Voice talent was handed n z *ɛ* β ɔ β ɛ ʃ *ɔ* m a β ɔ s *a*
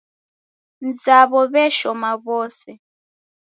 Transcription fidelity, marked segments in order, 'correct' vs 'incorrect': incorrect, correct, incorrect

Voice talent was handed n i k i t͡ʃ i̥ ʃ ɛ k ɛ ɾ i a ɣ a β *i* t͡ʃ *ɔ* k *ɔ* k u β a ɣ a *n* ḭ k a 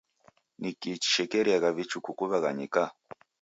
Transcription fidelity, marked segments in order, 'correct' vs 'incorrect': correct, incorrect, incorrect, incorrect

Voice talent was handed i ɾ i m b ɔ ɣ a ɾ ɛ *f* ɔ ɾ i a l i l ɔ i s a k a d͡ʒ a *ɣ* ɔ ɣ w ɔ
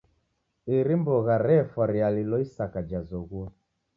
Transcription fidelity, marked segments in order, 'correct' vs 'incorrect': correct, incorrect

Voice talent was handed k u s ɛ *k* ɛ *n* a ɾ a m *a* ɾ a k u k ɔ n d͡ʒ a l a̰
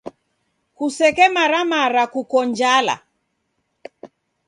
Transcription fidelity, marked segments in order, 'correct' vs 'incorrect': correct, incorrect, correct

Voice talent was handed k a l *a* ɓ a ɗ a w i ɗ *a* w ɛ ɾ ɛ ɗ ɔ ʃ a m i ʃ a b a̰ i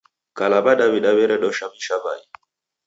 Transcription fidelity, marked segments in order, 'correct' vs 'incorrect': correct, correct

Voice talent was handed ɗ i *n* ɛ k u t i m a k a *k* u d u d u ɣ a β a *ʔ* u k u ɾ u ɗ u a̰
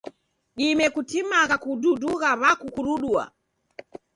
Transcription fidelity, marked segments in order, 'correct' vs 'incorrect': incorrect, correct, incorrect

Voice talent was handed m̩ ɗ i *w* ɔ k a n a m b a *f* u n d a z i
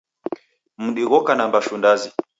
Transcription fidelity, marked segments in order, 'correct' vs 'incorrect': incorrect, incorrect

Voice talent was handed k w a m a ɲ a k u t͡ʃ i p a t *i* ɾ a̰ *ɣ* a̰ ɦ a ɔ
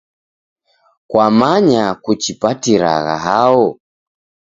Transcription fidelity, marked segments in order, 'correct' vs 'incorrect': correct, correct

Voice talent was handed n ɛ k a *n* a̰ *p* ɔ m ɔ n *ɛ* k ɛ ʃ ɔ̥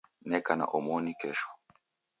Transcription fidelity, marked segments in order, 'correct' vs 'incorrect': correct, incorrect, incorrect

